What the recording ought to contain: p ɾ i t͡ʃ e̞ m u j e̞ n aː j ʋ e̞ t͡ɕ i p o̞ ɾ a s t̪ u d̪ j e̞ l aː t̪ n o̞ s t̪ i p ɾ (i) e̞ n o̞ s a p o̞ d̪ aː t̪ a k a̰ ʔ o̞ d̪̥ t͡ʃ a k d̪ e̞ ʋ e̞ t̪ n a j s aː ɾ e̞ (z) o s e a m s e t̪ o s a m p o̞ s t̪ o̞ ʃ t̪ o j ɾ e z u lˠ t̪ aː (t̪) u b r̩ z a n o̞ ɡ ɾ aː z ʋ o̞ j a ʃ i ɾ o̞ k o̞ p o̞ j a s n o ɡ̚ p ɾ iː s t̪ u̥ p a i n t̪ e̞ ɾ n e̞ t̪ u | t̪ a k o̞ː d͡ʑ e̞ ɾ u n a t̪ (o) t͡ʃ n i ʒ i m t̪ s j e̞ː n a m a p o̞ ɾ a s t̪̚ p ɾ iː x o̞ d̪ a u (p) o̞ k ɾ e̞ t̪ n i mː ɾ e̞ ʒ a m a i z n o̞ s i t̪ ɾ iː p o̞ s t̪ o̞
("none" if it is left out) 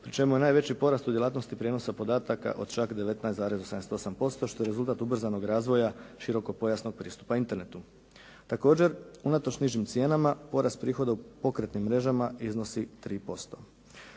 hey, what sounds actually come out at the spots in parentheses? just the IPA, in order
j, z, t̪, o, p

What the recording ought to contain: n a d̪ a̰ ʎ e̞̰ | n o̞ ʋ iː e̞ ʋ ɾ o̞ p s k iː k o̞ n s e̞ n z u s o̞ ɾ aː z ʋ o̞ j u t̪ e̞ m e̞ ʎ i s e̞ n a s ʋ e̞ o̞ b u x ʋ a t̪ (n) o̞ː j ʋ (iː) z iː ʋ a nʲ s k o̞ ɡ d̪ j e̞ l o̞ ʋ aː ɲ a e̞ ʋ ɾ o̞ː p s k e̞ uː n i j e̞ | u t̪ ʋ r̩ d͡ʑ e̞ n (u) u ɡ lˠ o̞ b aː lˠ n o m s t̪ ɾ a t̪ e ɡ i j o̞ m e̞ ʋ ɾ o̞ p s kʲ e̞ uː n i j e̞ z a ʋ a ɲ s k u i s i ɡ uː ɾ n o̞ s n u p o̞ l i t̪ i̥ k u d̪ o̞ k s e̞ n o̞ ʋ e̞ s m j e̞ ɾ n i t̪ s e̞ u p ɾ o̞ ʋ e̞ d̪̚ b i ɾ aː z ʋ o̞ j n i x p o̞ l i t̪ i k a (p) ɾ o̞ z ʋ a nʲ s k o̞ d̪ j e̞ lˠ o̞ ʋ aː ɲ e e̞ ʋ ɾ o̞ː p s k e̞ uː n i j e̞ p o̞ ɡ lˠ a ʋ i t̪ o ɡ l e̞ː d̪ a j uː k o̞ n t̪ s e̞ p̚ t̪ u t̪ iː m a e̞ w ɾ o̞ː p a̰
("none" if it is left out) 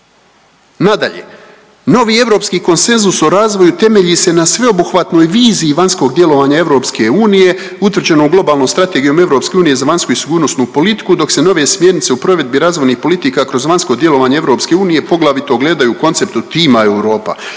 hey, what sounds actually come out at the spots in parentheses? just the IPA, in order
n, iː, o, k

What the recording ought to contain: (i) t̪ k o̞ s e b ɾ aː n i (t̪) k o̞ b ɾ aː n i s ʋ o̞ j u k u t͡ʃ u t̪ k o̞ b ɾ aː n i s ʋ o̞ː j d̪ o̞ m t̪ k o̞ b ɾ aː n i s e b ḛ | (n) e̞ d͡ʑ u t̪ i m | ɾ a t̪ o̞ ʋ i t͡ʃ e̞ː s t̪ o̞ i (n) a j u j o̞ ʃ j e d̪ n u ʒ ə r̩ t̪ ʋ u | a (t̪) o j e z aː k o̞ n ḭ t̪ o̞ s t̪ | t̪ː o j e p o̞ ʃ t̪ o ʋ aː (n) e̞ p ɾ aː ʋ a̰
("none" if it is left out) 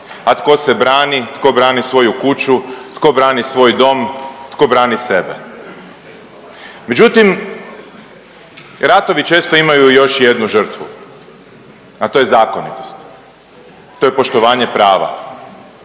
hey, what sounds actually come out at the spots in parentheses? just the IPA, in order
a, t̪, m, m, t̪, ɲ

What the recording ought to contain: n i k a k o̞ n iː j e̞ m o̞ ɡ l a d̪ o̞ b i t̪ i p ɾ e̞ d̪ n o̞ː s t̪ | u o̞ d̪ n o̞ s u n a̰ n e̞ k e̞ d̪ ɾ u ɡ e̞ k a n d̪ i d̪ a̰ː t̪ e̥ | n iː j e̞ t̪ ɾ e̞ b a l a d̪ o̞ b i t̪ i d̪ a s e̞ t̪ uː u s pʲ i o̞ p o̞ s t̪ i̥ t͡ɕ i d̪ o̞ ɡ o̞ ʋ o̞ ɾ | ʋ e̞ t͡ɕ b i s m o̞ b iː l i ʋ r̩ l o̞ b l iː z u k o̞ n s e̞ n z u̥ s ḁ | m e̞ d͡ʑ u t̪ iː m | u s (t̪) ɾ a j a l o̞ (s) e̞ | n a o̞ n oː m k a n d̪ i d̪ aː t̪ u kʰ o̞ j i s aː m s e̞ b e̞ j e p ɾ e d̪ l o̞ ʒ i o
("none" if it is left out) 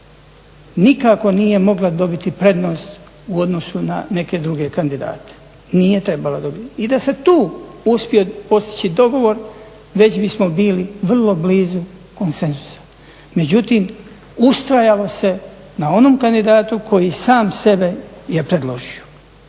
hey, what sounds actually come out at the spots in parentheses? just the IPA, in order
t̪, s

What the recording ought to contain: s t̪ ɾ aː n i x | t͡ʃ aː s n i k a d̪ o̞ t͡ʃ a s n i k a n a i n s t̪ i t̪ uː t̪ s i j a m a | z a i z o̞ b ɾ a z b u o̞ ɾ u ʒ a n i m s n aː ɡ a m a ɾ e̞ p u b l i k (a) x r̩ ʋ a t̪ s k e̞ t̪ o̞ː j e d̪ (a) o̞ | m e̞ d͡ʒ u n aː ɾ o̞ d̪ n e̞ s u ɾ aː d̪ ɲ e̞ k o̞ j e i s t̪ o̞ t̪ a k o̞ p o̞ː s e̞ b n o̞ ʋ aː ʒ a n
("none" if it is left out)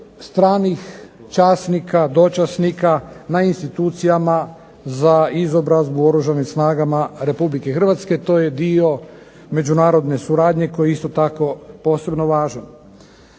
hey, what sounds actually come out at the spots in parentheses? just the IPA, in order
e, i

